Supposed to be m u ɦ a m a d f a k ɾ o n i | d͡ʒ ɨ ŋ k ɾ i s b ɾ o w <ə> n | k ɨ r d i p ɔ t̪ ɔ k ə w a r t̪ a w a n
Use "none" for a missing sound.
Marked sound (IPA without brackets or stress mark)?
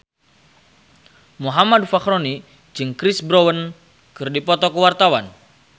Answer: ə